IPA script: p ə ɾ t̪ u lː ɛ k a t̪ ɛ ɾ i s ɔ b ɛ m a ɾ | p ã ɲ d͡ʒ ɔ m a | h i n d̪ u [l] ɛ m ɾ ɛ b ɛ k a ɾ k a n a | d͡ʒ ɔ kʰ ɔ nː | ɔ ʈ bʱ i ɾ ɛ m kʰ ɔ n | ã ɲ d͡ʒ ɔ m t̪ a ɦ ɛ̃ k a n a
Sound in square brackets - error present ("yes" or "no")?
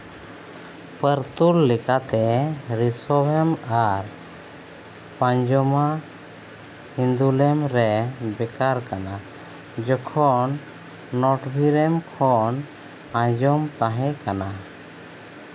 no